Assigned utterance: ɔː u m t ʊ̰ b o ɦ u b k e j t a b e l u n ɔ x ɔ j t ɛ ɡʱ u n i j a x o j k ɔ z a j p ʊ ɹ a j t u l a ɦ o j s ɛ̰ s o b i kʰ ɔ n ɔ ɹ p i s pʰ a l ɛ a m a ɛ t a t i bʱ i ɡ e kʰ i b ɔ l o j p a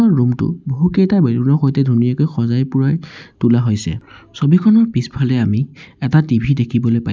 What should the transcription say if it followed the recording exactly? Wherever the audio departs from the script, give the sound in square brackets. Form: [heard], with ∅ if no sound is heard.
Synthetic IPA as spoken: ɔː u m t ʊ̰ b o ɦ u [∅] k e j t a b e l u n ɔ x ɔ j t ɛ [dʱ] u n i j a [k] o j [x] ɔ z a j p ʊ ɹ a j t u l a ɦ o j s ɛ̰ s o b i kʰ ɔ n ɔ ɹ p i s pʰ a l ɛ a m [i] ɛ t a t i bʱ i [d] e kʰ i b ɔ l o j p a